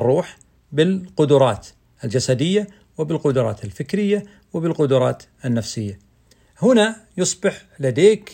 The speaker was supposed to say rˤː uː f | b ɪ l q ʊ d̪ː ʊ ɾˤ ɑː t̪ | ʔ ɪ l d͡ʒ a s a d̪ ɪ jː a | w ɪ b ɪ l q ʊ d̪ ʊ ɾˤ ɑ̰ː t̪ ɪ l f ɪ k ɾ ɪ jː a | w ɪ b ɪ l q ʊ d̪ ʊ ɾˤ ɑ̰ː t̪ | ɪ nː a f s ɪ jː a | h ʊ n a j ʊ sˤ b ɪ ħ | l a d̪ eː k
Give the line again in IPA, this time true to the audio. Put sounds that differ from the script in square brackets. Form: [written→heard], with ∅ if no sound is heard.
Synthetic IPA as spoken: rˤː uː [f→ħ] | b ɪ l q ʊ [d̪ː→d̪] ʊ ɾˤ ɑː t̪ | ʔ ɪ l d͡ʒ a s a d̪ ɪ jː a | w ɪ b ɪ l q ʊ d̪ ʊ ɾˤ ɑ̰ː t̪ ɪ l f ɪ k ɾ ɪ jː a | w ɪ b ɪ l q ʊ d̪ ʊ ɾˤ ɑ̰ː t̪ | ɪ nː a f s ɪ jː a | h ʊ n a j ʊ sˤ b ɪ ħ | l a d̪ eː k